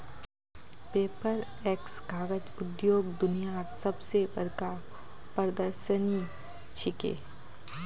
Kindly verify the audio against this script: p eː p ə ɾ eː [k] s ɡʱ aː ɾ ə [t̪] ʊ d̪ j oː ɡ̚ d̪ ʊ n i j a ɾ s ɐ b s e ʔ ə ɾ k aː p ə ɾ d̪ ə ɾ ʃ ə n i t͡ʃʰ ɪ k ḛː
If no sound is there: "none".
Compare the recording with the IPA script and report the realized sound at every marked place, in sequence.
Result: k, t̪

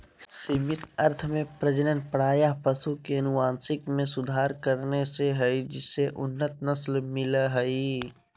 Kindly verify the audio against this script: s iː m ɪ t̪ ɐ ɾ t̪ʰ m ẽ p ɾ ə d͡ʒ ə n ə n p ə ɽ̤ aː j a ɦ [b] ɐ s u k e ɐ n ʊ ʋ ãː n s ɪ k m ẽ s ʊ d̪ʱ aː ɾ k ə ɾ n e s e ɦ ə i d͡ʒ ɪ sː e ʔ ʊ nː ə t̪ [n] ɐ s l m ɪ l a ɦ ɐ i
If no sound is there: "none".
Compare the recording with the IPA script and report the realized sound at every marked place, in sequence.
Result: p, n

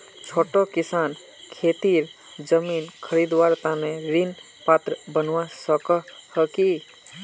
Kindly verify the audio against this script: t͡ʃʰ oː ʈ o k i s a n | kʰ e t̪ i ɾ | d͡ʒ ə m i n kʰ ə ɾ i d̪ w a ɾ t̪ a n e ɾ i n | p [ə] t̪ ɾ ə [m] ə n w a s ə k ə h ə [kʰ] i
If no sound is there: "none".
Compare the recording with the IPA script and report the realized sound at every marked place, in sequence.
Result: a, b, k

